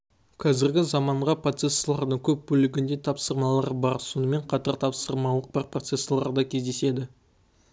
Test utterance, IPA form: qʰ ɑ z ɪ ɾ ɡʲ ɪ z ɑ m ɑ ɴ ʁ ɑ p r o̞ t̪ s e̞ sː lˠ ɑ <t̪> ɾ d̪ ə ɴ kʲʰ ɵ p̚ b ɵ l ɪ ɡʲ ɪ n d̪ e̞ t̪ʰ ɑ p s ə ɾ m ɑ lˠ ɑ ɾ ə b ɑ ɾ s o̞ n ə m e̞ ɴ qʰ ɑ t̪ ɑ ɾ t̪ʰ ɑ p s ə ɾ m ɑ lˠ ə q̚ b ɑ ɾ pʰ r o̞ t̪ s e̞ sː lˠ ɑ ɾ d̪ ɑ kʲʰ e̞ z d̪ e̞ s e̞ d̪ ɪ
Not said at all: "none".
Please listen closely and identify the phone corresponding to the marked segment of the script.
none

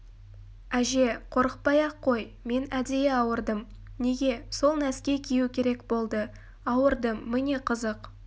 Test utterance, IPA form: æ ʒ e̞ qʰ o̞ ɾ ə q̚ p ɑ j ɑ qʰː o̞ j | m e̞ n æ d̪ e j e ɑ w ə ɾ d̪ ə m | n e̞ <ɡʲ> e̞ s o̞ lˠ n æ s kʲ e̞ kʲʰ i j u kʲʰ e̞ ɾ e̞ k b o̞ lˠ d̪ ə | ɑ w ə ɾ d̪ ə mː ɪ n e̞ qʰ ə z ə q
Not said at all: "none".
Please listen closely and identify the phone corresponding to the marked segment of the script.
ɡʲ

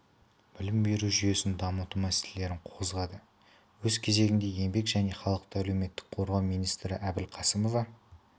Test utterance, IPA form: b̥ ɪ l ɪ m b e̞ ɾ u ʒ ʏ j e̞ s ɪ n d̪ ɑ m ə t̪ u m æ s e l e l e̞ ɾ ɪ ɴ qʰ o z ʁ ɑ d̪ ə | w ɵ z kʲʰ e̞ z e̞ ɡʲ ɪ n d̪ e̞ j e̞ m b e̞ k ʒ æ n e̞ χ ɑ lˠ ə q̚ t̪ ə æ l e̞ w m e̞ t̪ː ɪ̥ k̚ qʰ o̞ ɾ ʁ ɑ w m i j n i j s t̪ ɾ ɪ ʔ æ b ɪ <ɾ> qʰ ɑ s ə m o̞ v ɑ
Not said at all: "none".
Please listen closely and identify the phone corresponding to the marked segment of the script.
l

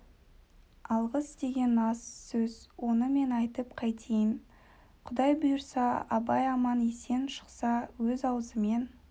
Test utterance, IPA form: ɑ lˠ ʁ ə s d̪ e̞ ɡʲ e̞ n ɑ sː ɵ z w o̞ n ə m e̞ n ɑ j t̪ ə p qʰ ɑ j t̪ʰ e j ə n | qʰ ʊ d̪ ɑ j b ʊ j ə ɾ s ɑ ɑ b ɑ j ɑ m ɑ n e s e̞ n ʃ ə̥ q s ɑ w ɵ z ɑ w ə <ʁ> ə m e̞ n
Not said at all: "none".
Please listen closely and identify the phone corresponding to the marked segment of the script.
z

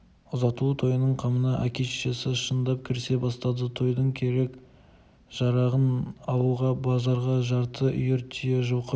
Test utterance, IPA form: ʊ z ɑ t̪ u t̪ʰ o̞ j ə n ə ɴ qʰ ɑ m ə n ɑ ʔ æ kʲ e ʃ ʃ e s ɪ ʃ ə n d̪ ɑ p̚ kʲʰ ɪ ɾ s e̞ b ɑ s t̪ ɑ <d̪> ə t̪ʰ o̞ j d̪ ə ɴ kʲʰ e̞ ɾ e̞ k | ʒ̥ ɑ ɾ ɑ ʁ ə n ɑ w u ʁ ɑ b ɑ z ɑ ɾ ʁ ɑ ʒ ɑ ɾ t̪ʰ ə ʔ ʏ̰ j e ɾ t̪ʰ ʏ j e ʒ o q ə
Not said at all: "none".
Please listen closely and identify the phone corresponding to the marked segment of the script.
d̪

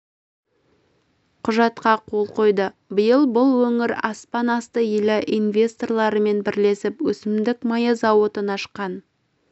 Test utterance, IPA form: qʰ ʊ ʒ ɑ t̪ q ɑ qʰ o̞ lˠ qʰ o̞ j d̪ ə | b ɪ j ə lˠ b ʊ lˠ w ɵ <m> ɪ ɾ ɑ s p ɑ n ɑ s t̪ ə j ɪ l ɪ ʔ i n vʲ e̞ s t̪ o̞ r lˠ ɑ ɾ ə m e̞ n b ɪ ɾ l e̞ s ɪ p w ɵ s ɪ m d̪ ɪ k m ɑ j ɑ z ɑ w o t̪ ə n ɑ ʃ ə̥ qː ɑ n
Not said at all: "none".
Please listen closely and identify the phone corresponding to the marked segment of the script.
ŋ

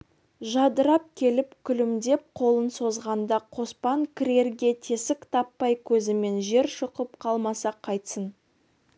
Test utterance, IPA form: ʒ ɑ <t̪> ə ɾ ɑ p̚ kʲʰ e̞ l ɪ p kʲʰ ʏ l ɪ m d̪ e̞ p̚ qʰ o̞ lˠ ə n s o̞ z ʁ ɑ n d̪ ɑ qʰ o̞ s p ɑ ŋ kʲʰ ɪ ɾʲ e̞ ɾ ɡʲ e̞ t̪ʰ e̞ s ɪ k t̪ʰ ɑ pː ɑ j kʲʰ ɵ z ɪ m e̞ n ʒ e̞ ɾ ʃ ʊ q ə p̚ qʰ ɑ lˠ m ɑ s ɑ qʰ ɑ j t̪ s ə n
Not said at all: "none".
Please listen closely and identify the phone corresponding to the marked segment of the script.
d̪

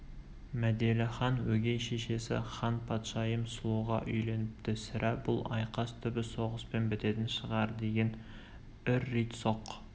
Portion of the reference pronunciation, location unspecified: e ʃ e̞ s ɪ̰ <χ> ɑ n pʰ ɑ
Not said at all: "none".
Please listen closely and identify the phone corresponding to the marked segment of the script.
χ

